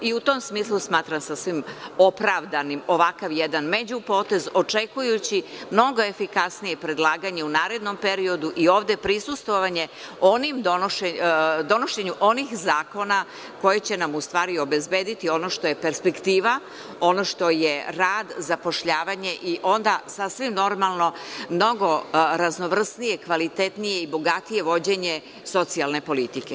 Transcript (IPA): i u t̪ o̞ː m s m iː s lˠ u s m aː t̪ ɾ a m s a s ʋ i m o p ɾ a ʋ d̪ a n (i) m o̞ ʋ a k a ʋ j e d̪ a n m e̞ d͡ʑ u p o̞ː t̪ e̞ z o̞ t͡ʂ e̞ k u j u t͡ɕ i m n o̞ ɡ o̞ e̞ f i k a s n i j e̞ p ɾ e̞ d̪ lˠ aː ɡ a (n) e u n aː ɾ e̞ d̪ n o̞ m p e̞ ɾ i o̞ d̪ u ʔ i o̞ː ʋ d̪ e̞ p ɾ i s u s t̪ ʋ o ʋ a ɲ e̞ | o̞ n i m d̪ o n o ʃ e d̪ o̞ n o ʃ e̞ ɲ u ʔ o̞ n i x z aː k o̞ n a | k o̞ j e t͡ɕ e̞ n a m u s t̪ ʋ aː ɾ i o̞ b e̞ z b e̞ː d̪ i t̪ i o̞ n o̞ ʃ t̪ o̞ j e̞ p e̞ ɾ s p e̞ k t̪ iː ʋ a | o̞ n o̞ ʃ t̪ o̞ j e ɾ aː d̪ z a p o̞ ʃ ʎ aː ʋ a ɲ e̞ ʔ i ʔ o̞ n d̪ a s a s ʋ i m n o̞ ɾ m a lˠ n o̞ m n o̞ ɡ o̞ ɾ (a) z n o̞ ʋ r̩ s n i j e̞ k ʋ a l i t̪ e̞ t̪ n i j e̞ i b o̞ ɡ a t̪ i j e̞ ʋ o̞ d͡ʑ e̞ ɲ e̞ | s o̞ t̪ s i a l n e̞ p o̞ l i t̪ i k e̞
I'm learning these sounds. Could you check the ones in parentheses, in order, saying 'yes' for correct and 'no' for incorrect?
yes, no, yes

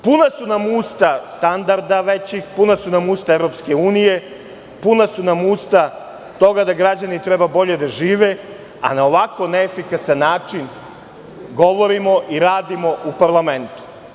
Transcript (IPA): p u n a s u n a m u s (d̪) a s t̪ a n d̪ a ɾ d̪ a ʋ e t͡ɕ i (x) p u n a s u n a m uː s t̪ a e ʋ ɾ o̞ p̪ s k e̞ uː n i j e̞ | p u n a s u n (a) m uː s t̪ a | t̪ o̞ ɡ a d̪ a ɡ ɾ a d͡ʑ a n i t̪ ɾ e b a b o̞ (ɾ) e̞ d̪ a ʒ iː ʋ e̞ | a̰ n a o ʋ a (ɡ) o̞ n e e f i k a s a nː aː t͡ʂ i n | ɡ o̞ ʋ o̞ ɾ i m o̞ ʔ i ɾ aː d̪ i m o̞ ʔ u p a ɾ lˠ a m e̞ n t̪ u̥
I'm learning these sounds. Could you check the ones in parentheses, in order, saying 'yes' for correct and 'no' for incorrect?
no, yes, yes, no, no

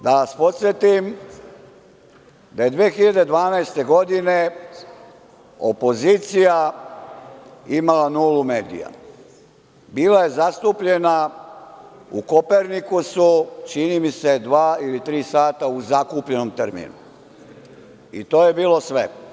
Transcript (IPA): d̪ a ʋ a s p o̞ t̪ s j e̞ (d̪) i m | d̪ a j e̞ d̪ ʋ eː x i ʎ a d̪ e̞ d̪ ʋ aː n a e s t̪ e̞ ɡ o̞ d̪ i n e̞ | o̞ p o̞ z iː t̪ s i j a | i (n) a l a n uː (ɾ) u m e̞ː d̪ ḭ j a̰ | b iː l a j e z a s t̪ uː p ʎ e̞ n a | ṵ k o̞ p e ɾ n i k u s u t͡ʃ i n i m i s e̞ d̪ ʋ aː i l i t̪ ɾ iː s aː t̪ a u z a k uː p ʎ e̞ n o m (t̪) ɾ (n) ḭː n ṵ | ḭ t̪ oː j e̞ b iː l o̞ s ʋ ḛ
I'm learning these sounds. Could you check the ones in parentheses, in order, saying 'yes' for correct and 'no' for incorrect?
no, no, no, yes, no

